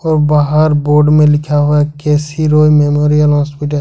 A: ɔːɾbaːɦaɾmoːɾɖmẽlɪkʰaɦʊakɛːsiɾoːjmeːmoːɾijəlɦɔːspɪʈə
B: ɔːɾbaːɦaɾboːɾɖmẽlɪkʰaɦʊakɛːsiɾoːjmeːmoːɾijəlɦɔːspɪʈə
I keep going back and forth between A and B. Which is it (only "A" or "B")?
B